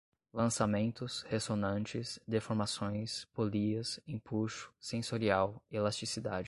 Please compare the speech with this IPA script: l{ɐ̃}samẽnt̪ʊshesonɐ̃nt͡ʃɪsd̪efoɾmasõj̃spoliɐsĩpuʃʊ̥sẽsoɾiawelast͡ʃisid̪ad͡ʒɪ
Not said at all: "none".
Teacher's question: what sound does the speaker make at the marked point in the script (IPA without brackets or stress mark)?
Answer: ɐ̃